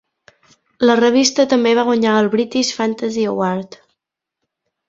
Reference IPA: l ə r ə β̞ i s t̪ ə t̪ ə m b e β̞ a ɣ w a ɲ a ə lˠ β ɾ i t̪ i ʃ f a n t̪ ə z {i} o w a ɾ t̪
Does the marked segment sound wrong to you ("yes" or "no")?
no